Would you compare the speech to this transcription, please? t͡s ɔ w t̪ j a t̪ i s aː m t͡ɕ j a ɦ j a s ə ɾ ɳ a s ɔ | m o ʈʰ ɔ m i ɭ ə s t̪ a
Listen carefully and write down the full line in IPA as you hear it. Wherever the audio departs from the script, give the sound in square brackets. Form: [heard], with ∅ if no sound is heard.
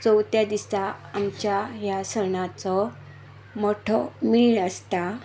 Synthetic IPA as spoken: t͡s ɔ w t̪ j a [d̪] i s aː m t͡ɕ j a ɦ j a s ə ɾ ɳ a [t͡s] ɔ | m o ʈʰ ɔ m i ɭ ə s t̪ a